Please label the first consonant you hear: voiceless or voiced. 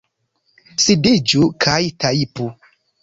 voiceless